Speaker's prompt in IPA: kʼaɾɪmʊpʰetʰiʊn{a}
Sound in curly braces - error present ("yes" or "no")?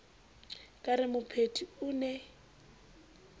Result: yes